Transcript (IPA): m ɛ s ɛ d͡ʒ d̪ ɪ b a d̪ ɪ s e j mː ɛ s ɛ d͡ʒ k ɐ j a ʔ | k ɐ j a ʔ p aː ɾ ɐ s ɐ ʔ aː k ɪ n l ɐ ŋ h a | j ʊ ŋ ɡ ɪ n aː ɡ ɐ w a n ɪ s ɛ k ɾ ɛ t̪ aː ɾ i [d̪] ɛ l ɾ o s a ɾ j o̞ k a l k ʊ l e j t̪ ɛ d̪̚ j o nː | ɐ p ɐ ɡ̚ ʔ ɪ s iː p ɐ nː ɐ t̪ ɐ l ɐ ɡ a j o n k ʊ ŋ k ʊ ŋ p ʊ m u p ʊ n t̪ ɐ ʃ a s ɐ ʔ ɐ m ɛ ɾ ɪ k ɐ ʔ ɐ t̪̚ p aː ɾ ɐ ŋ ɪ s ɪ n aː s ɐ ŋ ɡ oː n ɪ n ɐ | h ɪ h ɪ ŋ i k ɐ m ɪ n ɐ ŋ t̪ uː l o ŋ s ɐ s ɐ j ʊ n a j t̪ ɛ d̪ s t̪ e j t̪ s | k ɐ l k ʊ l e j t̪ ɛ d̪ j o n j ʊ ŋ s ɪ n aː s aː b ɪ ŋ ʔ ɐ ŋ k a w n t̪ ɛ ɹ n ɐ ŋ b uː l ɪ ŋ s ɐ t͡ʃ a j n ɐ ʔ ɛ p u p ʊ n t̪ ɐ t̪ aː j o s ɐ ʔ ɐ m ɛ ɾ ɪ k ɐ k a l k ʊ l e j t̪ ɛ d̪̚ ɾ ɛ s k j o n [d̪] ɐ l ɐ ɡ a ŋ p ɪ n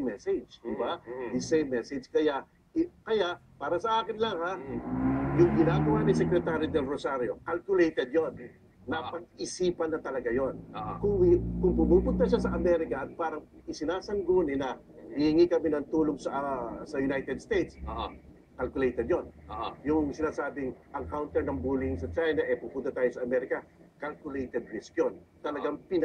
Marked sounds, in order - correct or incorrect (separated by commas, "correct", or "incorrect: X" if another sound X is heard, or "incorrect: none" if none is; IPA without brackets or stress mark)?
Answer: correct, incorrect: t̪